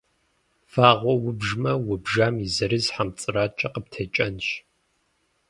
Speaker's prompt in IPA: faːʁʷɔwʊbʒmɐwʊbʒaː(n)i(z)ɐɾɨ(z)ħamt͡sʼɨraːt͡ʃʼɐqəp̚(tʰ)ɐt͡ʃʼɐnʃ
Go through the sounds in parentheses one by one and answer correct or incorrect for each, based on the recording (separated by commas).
incorrect, correct, correct, correct